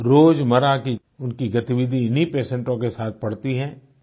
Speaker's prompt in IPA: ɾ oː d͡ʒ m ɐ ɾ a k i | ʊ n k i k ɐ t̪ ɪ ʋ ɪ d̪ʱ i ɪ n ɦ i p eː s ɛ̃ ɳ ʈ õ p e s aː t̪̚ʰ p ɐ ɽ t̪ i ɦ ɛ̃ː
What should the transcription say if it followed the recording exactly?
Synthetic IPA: ɾ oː d͡ʒ m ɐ ɾ a k i | ʊ n k i ɡ ɐ t̪ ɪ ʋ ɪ d̪ʱ i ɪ n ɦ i p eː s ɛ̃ ɳ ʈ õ k e s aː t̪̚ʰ p ɐ ɽ t̪ i ɦ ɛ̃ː